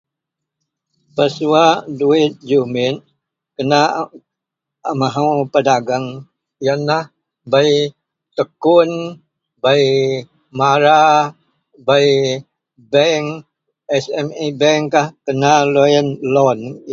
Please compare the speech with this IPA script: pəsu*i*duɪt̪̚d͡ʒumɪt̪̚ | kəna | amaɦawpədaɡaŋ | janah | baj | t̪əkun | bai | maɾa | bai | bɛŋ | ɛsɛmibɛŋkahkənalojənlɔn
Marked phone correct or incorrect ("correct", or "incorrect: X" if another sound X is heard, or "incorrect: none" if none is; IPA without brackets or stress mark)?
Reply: incorrect: a